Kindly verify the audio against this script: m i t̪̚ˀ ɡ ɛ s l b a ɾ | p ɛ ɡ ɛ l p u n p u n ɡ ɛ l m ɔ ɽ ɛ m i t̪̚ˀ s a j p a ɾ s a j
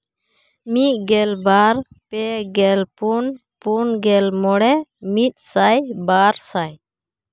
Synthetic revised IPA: m i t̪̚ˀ ɡ ɛ l b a ɾ | p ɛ ɡ ɛ l p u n p u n ɡ ɛ l m ɔ ɽ ɛ m i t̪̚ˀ s a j b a ɾ s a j